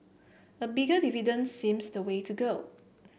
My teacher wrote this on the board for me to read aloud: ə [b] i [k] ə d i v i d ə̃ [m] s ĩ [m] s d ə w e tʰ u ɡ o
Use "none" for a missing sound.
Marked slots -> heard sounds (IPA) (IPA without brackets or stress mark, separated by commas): b, ɡ, n, m